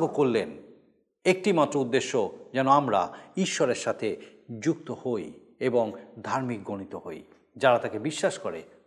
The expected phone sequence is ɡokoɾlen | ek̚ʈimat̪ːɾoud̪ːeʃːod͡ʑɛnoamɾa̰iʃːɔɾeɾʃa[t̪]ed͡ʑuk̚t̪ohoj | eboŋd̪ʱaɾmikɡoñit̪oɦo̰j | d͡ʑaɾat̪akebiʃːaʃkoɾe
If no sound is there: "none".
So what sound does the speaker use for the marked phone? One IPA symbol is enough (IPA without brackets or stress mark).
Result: t̪ʰ